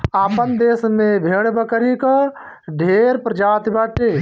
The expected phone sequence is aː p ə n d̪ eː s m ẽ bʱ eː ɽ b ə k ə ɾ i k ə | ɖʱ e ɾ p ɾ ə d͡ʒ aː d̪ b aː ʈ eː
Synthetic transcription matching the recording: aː p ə n d̪ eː s m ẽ bʱ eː ɽ b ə k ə ɾ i k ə | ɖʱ e ɾ p ɾ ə d͡ʒ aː t̪ b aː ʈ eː